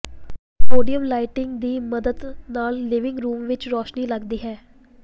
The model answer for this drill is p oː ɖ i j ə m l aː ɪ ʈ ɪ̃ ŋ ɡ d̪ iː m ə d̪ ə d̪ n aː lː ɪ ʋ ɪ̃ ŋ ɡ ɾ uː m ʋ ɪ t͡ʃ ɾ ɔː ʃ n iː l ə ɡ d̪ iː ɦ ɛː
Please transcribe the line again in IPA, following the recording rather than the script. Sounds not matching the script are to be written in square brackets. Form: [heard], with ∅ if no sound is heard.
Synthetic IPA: p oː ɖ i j ə m l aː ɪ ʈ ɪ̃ ŋ ɡ d̪ iː m ə d̪ ə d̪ n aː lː ɪ ʋ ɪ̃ ŋ ɡ ɾ uː m ʋ ɪ t͡ʃ ɾ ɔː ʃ n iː l ə ɡ d̪ iː ɦ ɛː